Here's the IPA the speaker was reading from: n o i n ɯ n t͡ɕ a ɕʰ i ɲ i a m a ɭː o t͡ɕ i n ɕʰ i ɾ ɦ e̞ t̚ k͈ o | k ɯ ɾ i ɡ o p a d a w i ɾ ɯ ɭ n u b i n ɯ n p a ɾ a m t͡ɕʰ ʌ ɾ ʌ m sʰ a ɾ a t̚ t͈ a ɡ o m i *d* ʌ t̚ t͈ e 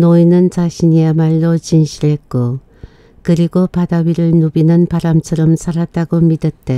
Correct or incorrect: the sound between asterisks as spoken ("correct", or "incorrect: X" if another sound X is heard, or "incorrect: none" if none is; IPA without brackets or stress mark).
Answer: correct